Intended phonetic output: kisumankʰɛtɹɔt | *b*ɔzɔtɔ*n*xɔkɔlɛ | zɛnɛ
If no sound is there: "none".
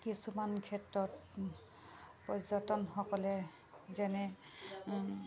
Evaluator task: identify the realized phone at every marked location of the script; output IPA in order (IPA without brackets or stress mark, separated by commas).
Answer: p, n